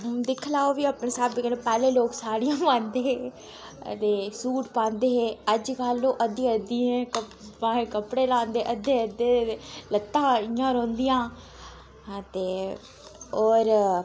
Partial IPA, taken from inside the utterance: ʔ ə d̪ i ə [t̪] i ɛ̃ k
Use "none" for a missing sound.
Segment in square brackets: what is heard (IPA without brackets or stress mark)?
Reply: d̪